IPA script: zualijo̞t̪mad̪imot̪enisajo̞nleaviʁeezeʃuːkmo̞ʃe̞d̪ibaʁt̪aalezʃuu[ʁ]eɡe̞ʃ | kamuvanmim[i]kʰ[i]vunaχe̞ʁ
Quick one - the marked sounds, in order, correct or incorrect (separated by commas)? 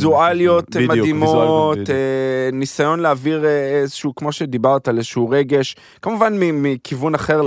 correct, correct, correct